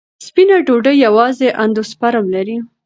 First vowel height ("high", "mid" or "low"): high